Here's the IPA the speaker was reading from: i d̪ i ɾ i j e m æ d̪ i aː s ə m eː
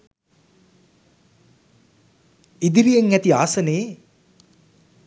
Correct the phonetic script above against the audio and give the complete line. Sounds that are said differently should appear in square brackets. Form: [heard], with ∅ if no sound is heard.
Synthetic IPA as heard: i d̪ i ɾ i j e [ŋ] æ [t̪] i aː s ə [n] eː